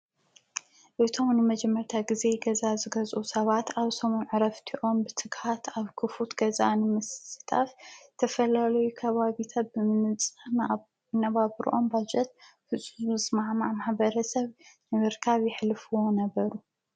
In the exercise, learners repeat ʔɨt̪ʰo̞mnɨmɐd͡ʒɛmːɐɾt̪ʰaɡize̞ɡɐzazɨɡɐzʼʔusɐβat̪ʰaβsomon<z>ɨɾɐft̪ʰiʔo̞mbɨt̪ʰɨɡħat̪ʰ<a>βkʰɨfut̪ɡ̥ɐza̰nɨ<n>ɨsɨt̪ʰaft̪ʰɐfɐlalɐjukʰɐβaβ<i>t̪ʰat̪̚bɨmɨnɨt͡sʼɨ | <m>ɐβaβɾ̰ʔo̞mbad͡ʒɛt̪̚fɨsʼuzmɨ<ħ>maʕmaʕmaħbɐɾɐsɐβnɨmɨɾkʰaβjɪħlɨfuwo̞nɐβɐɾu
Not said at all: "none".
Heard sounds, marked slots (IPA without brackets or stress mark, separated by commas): ʕ, a, m, i, n, s